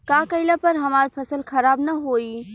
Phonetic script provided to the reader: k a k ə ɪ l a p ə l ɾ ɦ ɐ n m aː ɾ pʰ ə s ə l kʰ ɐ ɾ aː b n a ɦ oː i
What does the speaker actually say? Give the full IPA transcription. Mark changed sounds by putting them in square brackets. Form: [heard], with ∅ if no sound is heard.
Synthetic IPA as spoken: k a k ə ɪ l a p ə [∅] ɾ ɦ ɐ [∅] m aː ɾ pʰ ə s ə l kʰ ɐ ɾ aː b n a ɦ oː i